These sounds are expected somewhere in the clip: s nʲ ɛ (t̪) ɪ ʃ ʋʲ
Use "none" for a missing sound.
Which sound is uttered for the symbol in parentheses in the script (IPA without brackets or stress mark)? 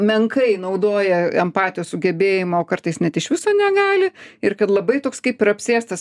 t̪